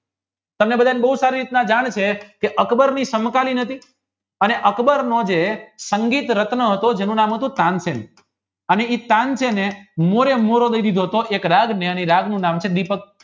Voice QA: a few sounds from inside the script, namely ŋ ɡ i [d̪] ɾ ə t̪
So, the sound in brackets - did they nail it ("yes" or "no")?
no